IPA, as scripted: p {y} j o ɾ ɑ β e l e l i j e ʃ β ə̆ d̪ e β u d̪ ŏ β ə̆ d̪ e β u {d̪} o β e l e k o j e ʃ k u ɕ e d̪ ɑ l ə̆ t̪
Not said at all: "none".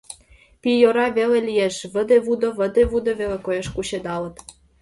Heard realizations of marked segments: i, d̪

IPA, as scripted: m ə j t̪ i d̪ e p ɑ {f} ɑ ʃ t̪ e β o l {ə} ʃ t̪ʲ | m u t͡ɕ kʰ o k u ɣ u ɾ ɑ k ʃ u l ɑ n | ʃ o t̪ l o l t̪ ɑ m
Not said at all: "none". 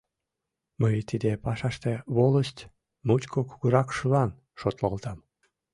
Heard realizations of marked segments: ʃ, ə

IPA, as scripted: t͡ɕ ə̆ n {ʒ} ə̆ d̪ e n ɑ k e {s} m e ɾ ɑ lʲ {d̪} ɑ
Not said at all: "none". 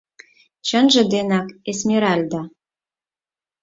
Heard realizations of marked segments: ʒ, s, d̪

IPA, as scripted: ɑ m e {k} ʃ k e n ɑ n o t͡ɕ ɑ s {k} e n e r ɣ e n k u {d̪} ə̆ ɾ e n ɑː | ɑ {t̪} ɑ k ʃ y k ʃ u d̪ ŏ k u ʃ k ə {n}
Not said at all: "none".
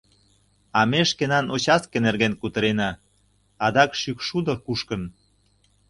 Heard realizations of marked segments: none, k, t̪, d̪, n

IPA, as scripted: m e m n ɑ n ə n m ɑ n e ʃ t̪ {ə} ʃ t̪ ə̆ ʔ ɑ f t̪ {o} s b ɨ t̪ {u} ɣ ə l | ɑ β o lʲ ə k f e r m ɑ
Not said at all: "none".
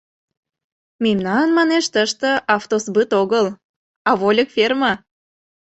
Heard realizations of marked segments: ə, o, o

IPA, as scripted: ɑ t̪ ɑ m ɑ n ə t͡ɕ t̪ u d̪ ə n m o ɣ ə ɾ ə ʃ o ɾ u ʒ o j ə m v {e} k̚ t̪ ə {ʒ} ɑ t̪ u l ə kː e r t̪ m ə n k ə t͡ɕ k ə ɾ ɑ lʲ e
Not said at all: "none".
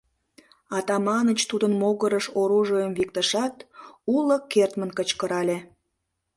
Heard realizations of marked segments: i, ʃ

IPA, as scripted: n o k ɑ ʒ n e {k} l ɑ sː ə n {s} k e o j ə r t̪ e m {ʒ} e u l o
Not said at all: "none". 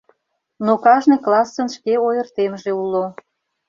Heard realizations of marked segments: k, ʃ, ʒ

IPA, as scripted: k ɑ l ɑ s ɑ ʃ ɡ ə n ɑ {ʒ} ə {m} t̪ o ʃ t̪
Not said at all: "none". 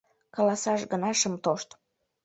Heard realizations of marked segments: ʃ, m

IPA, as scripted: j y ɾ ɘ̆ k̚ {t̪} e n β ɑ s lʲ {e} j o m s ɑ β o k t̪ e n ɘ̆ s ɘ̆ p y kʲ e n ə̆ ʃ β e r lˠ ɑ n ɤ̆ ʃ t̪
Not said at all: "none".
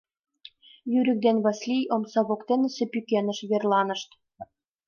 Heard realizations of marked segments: d̪, i

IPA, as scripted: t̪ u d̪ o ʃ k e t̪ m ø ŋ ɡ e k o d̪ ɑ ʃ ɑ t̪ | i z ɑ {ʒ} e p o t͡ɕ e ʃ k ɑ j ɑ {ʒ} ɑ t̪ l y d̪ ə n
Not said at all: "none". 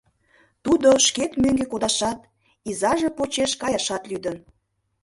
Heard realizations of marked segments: ʒ, ʃ

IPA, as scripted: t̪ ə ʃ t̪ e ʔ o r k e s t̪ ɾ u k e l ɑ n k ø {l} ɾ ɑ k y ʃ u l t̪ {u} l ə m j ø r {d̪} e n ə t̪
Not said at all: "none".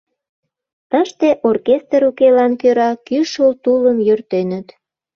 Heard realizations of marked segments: none, u, t̪

